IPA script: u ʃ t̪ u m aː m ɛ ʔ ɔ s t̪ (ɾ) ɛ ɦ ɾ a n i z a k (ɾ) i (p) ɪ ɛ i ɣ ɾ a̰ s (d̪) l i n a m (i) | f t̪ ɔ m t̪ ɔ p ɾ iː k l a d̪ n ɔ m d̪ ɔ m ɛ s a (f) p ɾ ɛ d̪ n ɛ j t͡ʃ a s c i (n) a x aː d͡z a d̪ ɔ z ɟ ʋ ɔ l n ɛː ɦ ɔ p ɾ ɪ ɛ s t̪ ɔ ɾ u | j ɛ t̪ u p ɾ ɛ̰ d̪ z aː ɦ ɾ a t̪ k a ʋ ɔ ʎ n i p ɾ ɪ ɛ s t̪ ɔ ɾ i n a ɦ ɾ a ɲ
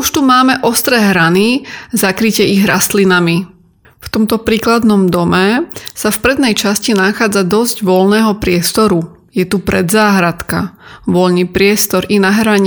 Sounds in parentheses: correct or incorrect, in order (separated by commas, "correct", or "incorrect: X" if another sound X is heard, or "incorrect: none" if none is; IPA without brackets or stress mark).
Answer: correct, correct, incorrect: c, incorrect: t̪, correct, correct, correct